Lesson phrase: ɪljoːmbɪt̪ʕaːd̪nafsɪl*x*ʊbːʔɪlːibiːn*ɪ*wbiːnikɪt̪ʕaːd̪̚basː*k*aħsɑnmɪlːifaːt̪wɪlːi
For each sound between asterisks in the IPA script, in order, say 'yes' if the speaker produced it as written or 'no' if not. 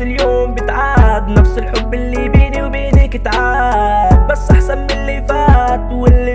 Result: no, no, no

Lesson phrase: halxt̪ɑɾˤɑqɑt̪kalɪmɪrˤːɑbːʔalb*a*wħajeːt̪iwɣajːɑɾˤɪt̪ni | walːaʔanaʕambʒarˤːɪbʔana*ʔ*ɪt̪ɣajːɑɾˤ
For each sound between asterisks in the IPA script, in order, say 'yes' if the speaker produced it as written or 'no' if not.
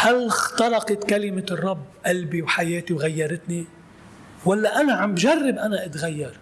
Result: no, yes

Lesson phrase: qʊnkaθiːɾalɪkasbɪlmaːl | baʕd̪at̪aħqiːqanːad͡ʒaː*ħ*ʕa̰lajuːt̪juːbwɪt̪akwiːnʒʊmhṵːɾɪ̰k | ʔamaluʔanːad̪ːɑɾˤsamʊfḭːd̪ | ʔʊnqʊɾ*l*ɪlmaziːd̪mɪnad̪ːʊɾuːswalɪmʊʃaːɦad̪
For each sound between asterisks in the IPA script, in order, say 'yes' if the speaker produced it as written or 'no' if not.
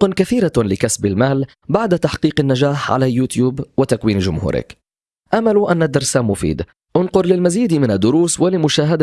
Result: yes, yes

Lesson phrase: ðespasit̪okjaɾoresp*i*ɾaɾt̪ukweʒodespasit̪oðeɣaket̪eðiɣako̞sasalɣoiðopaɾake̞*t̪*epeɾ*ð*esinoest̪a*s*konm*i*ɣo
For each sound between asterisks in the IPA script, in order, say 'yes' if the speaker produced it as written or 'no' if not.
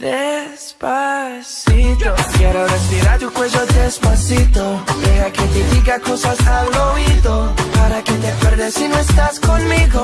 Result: yes, yes, yes, yes, yes

